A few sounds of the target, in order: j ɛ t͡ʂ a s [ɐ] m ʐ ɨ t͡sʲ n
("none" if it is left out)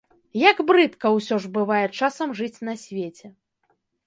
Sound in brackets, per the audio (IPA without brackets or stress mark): ɐ